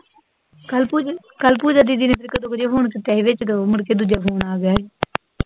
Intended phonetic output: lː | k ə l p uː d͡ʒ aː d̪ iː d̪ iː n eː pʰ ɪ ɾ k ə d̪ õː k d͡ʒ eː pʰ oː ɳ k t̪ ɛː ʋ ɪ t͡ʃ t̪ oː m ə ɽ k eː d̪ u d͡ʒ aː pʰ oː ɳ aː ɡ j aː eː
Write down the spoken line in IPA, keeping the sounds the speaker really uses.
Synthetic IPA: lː | k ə l p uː d͡ʒ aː d̪ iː d̪ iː n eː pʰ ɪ ɾ k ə d̪ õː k d͡ʒ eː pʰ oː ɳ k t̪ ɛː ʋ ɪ t͡ʃ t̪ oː m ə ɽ k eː d̪ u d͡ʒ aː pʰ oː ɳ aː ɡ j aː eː